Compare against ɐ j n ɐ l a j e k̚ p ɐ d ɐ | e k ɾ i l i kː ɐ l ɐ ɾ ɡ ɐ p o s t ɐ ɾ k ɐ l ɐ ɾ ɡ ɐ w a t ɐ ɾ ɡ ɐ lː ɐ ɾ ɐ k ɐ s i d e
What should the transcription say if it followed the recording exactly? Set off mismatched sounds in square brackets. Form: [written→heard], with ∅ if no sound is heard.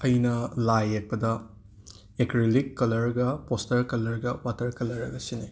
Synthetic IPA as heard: ɐ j n ɐ l a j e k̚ p ɐ d ɐ | e k ɾ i l i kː ɐ l ɐ ɾ ɡ ɐ p o s t ɐ ɾ k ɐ l ɐ ɾ ɡ ɐ w a t ɐ ɾ [ɡ→k] ɐ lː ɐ ɾ ɐ [k→ɡ] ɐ s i [d→n] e